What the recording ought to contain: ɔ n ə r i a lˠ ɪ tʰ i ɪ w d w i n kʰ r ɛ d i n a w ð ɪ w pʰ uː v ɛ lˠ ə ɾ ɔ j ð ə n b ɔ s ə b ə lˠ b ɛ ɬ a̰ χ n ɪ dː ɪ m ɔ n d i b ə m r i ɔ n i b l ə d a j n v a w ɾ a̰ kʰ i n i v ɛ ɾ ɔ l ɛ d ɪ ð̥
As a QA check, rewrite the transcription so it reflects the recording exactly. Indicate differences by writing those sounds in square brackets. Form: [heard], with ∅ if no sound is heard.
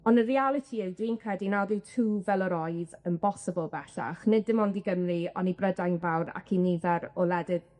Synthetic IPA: ɔ n ə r i a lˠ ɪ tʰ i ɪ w d w i n kʰ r ɛ d i n a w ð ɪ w [tʰ] uː v ɛ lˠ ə ɾ ɔ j ð ə n b ɔ s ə b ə lˠ b ɛ ɬ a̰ χ n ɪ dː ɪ m ɔ n d i [ɡ] ə m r i ɔ n i b [r] ə d a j n v a w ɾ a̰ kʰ i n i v ɛ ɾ ɔ l ɛ d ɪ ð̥